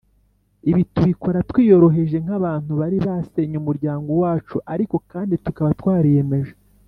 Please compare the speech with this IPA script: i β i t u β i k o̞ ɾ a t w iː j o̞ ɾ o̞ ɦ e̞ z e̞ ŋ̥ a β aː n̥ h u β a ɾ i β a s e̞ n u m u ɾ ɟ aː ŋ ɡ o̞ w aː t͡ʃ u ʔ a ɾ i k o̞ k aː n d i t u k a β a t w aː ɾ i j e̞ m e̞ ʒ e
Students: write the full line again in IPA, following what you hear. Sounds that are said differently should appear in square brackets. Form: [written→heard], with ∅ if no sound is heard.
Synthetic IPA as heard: i β i t u β i k o̞ ɾ a t w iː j o̞ ɾ o̞ ɦ e̞ [z→ʒ] e̞ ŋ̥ a β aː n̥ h u β a ɾ i β a s e̞ [n→ɲ] u m u ɾ ɟ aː ŋ ɡ o̞ w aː t͡ʃ u ʔ a ɾ i k o̞ k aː n d i t u k a β a t w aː ɾ i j e̞ m e̞ ʒ e